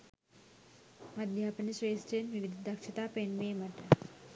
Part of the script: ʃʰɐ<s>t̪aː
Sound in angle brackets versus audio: incorrect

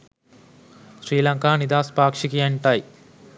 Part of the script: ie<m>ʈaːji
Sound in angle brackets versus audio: incorrect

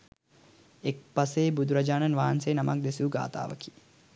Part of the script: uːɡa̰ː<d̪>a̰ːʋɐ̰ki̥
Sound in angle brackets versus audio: incorrect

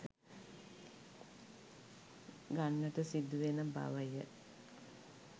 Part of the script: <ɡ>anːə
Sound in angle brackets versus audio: correct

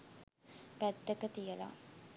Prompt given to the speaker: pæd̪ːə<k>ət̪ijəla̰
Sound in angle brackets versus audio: correct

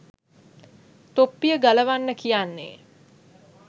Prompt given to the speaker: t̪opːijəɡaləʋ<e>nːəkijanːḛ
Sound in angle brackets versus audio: incorrect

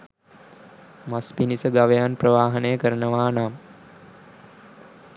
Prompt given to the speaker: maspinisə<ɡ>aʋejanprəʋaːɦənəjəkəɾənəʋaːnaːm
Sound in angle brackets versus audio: correct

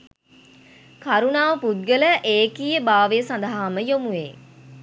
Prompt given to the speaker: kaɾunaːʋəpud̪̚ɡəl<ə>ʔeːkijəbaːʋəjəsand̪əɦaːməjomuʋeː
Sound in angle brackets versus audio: correct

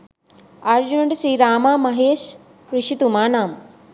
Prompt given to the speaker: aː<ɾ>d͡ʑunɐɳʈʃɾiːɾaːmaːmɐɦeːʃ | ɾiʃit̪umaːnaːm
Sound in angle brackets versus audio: correct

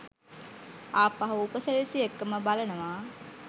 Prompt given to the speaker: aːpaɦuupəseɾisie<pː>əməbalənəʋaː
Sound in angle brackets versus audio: incorrect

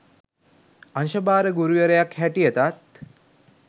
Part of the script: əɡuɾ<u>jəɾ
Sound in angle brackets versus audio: correct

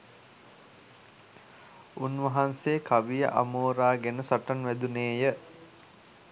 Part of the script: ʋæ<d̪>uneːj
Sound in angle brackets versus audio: correct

